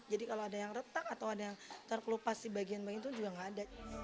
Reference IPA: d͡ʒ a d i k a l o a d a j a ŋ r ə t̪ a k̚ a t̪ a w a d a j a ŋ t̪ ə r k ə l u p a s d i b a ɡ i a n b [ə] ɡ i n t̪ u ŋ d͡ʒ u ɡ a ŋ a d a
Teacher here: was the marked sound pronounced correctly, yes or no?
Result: no